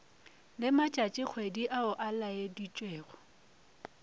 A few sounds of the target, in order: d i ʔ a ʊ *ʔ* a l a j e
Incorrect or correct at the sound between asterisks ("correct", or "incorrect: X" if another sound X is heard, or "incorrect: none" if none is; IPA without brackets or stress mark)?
correct